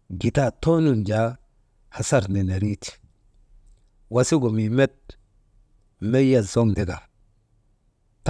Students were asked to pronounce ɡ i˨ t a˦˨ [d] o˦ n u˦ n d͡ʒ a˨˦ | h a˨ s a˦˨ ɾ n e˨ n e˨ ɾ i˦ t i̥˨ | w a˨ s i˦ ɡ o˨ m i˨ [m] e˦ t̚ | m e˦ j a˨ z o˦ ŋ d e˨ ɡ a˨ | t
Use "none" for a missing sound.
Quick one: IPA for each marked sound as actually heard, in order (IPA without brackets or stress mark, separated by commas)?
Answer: t, m